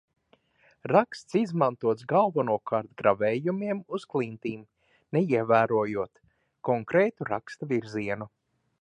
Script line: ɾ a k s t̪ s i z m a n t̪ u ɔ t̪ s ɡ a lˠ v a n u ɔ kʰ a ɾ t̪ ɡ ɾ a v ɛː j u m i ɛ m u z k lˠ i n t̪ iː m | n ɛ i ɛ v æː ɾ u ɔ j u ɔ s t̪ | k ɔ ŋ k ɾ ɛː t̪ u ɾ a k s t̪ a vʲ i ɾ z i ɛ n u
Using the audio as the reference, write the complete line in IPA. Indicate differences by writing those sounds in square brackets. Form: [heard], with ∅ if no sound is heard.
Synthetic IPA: ɾ a k s t̪ s i z m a n t̪ u ɔ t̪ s ɡ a lˠ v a n u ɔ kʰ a ɾ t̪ ɡ ɾ a v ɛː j u m i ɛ m u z k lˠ i n t̪ iː m | n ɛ i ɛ v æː ɾ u ɔ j u ɔ [∅] t̪ | k ɔ ŋ k ɾ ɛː t̪ u ɾ a k s t̪ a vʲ i ɾ z i ɛ n u

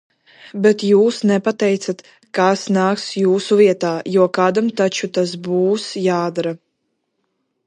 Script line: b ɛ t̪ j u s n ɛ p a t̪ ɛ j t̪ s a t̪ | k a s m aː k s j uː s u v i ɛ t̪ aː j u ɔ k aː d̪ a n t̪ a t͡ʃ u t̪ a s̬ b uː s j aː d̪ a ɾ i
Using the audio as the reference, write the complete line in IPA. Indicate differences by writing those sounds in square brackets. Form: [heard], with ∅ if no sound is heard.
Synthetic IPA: b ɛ t̪ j [uː] s n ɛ p a t̪ ɛ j t̪ s a t̪ | k a s [n] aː k s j uː s u v i ɛ t̪ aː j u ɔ k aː d̪ a [m] t̪ a t͡ʃ u t̪ a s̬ b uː s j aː d̪ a ɾ [a]

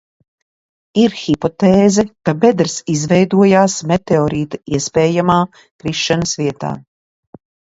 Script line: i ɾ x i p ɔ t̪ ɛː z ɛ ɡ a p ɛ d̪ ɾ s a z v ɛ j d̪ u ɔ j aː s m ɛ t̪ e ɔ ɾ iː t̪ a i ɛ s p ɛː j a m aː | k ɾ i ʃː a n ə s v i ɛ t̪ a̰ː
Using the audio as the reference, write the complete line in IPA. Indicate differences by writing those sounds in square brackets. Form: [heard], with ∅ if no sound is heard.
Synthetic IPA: i ɾ x i p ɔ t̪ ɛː z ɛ [k] a [b] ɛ d̪ ɾ s [i] z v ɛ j d̪ u ɔ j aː s m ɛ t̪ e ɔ ɾ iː t̪ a i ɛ s p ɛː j a m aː | k ɾ i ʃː a n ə s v i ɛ t̪ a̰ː

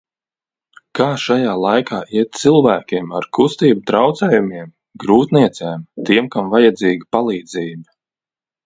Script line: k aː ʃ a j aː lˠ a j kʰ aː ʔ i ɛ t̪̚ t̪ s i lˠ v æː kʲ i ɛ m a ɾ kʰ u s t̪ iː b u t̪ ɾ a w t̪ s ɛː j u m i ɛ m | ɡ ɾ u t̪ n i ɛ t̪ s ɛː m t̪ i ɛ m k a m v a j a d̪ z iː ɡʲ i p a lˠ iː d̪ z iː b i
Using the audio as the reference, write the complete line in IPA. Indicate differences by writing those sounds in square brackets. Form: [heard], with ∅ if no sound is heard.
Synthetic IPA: k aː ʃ a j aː lˠ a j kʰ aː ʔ i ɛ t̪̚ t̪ s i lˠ v æː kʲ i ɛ m a ɾ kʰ u s t̪ iː b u t̪ ɾ a w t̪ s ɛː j u m i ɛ m | ɡ ɾ [uː] t̪ n i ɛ t̪ s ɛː m t̪ i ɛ m k a m v a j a d̪ z iː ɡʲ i p a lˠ iː d̪ z iː b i

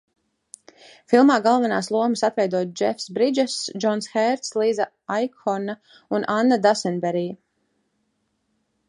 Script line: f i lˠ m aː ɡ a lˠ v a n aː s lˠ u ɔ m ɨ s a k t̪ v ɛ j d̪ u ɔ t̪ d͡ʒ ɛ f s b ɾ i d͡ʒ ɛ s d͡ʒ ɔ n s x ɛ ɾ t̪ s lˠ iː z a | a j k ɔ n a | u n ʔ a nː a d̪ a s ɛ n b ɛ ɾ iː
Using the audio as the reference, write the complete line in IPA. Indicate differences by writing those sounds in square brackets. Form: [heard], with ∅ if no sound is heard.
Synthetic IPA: f i lˠ m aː ɡ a lˠ v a n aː s lˠ u ɔ m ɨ s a [∅] t̪ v ɛ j d̪ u ɔ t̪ d͡ʒ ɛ f s b ɾ i d͡ʒ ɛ s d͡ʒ ɔ n s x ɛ ɾ t̪ s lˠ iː z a | a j k ɔ n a | u n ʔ a nː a d̪ a s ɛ n b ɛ ɾ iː

